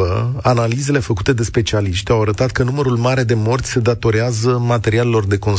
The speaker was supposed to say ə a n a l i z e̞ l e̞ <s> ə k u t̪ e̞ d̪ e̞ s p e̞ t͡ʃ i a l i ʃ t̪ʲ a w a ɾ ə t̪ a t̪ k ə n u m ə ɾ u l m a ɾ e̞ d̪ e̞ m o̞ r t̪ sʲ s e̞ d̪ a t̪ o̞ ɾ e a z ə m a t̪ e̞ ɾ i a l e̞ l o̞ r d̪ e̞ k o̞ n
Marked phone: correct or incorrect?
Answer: incorrect